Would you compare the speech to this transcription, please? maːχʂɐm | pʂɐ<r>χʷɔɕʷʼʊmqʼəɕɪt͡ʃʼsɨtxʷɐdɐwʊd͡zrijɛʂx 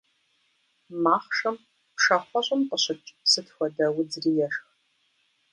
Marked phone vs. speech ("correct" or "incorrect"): incorrect